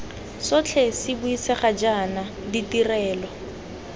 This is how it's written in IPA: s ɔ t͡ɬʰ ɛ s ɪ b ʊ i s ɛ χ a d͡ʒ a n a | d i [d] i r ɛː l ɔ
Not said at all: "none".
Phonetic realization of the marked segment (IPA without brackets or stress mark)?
t